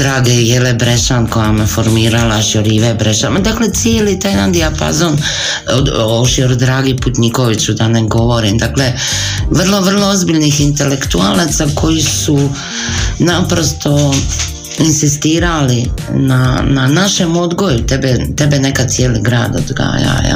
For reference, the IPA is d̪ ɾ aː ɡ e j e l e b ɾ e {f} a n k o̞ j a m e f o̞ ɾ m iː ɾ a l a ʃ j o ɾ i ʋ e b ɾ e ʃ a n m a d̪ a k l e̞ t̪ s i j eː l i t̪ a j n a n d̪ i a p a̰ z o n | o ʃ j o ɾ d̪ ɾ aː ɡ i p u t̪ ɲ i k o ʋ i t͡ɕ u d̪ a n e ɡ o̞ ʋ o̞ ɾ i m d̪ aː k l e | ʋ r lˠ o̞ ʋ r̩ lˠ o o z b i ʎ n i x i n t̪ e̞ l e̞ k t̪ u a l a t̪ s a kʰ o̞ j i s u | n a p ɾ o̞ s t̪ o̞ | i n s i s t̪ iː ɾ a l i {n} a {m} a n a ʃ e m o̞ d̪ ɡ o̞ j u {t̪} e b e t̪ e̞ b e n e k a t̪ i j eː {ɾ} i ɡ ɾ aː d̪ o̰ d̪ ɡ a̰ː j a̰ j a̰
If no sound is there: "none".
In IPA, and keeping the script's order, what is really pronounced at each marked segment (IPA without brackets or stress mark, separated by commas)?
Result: ʃ, n, n, t̪, l